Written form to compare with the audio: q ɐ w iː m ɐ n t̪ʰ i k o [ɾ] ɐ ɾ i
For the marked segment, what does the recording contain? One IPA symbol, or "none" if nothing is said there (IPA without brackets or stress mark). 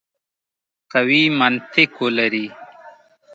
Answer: l